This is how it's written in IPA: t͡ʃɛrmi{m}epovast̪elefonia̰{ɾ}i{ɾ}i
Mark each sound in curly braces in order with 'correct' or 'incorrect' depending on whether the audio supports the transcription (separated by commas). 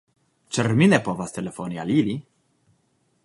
incorrect, incorrect, incorrect